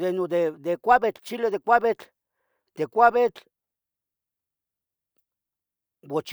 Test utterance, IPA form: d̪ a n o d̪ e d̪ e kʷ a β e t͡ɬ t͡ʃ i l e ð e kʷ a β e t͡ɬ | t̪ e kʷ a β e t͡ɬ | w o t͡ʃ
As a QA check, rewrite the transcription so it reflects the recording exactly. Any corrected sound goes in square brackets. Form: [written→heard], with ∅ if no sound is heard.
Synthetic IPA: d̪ [a→e] n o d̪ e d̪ e kʷ a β e t͡ɬ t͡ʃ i l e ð e kʷ a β e t͡ɬ | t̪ e kʷ a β e t͡ɬ | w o t͡ʃ